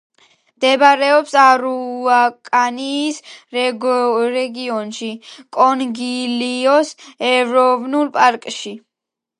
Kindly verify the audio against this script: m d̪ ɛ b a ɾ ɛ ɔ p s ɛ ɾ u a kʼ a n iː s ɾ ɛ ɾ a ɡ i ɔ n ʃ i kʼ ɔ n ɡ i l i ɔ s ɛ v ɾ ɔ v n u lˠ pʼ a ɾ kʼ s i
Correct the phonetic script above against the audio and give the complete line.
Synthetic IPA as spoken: m d̪ ɛ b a ɾ ɛ ɔ p s a ɾ u a kʼ a n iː s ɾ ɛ ɾ ɛ ɡ i ɔ n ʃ i kʼ ɔ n ɡ i l i ɔ s ɛ v ɾ ɔ v n u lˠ pʼ a ɾ kʼ ʃ i